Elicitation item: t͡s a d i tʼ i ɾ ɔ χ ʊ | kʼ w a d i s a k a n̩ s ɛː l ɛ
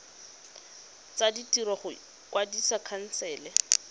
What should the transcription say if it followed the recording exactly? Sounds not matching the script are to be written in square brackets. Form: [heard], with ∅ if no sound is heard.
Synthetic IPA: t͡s a d i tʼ i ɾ ɔ χ ʊ | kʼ w a d i s a [kʰ] a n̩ s ɛː l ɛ